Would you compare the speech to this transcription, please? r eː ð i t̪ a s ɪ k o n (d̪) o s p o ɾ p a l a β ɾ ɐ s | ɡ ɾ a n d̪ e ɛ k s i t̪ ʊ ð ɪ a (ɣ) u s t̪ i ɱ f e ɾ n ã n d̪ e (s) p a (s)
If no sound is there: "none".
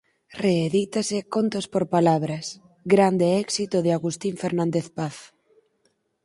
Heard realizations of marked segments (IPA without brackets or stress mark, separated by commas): t̪, ɣ, θ, θ